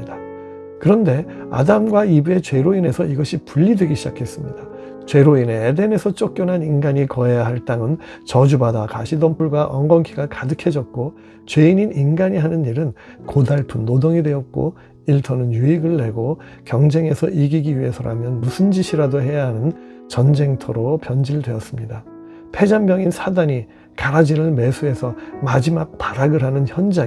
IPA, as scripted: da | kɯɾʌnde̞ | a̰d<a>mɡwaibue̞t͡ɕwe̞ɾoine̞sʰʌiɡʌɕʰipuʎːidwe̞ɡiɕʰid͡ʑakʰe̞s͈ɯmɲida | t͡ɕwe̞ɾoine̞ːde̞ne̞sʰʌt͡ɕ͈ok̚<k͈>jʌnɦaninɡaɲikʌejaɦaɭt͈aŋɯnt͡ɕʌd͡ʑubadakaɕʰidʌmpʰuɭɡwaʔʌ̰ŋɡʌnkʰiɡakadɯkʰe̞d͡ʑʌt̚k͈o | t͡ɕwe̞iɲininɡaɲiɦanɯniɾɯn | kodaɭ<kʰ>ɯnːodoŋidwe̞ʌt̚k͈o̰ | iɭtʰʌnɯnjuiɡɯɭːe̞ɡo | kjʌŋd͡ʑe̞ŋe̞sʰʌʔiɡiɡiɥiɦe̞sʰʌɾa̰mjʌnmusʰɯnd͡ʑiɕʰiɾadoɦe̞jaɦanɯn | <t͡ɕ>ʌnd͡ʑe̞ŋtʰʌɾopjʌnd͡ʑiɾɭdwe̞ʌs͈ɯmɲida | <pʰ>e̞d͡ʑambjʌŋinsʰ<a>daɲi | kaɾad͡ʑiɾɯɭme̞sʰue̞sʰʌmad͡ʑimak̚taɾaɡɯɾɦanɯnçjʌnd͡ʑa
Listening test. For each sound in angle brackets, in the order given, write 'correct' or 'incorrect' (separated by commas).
correct, correct, incorrect, correct, correct, correct